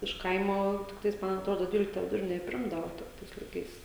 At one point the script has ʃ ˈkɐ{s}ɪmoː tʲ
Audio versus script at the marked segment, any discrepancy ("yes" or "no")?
yes